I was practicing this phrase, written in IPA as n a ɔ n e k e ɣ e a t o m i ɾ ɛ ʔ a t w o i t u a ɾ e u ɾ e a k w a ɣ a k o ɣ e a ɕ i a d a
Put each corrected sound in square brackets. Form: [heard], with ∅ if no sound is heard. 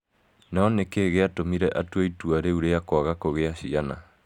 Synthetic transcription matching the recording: n a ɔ n e k e ɣ e a t o m i ɾ ɛ ʔ a t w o i t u a ɾ e u ɾ e a k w a ɣ a k o ɣ e a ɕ i a [n] a